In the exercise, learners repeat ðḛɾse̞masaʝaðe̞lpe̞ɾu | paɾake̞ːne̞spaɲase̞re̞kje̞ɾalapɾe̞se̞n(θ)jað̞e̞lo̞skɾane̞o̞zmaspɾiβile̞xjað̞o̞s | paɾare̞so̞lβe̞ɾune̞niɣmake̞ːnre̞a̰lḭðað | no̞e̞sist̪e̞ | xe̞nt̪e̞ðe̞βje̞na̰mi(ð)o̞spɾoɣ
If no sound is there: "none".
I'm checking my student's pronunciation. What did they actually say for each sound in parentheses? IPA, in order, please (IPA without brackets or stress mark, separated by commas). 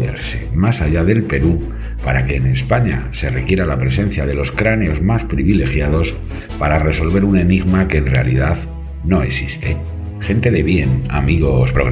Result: θ, ɣ